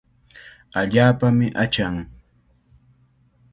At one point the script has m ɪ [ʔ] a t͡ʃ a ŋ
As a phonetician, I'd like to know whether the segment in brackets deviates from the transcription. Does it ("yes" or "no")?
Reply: no